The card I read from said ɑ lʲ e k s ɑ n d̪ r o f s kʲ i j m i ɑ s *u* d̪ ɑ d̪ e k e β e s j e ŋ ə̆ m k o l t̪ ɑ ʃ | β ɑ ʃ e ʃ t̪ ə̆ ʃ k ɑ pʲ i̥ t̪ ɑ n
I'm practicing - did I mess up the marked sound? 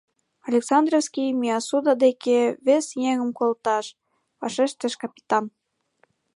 no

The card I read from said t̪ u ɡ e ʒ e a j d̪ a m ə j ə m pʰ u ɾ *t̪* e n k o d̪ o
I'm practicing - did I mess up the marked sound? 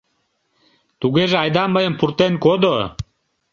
no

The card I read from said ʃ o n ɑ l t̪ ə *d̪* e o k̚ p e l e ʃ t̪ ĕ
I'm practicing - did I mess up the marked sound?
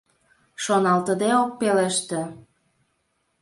no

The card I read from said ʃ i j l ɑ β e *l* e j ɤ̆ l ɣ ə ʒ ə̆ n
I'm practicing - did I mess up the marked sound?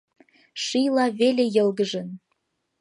no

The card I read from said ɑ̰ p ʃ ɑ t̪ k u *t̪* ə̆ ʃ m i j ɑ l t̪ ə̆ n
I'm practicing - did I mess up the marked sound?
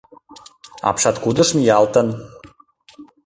yes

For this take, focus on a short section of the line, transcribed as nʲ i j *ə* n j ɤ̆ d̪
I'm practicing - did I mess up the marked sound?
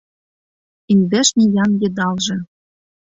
yes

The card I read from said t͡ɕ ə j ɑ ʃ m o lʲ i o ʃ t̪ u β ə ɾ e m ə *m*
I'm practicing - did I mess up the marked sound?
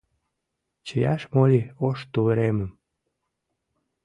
no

